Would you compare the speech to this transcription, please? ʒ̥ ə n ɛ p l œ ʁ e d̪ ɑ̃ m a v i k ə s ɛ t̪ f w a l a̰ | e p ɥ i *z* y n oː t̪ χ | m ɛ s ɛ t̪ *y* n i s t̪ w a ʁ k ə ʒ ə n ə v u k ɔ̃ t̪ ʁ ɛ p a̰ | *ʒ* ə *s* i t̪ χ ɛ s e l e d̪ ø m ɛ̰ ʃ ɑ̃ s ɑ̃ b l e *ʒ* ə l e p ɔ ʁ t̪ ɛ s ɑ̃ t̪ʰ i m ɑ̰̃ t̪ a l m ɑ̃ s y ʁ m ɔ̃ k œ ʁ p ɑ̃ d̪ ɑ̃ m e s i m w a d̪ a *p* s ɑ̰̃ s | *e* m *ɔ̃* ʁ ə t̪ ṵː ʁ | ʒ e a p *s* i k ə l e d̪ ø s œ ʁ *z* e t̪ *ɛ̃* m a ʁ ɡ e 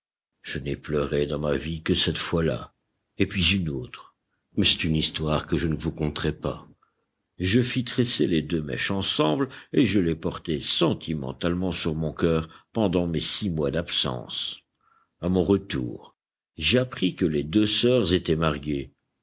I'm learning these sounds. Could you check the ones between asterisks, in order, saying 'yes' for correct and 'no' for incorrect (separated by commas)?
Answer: yes, yes, yes, no, yes, yes, no, yes, no, yes, no